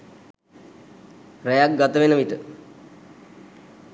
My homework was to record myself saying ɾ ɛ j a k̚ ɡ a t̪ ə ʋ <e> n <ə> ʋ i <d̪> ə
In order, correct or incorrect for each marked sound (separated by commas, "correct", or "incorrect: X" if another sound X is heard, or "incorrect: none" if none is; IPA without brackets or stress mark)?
correct, correct, incorrect: t̪